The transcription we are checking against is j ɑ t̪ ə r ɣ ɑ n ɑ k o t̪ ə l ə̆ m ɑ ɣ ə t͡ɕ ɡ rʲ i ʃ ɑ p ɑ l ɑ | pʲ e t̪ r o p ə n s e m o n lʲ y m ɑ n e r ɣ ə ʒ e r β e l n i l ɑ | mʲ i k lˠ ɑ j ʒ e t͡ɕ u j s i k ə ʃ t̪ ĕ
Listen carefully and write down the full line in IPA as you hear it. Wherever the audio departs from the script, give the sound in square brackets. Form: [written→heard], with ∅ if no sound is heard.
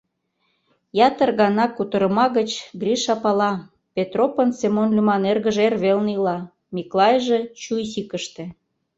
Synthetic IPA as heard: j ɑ t̪ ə r ɣ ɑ n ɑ k [o→u] t̪ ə [l→ɾ] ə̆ m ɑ ɣ ə t͡ɕ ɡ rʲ i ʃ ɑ p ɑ l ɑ | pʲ e t̪ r o p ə n s e m o n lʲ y m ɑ n e r ɣ ə ʒ e r β e l n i l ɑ | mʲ i k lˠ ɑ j ʒ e t͡ɕ u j s i k ə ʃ t̪ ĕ